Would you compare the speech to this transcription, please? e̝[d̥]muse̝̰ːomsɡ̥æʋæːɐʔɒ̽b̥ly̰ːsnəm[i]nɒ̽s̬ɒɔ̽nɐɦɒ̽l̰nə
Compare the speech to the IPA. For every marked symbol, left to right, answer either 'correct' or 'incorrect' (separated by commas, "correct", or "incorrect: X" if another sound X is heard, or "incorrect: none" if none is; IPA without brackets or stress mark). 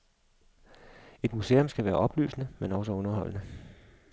correct, incorrect: e